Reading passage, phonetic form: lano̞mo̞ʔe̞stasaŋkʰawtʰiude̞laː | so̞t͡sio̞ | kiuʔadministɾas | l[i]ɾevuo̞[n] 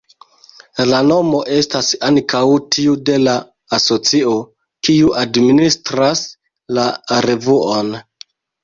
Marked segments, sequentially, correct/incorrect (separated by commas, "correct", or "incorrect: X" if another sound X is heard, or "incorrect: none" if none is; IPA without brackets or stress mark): incorrect: a, correct